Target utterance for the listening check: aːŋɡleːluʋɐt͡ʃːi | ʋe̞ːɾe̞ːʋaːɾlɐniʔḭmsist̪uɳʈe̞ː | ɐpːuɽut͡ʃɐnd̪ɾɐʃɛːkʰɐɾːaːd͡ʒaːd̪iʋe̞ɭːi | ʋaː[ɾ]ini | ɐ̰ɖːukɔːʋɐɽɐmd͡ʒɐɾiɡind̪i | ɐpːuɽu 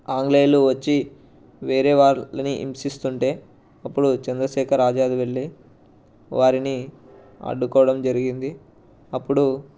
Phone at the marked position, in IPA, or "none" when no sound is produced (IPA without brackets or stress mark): ɾ